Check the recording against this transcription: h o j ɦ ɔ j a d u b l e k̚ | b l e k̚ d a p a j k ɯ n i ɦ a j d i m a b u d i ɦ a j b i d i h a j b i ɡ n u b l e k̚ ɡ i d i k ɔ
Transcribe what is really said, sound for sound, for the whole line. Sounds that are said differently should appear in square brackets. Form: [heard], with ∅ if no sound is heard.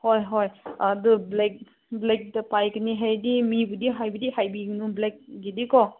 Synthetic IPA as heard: h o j ɦ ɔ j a d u b l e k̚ | b l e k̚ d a p a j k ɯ n i ɦ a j d i m [i] b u d i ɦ a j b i d i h a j b i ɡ n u b l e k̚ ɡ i d i k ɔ